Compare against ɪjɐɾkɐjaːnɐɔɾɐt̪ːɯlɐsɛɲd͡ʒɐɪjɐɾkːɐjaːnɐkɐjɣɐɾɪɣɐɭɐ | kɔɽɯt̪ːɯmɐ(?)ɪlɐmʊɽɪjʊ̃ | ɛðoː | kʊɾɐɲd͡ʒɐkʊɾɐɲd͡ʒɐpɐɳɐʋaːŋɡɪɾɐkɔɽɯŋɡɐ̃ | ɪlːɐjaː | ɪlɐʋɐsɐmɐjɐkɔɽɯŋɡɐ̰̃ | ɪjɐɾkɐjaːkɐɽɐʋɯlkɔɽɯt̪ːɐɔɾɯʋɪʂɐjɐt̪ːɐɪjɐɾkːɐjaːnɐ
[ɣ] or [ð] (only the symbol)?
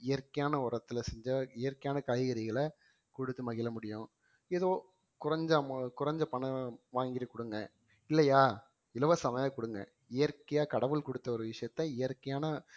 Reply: ɣ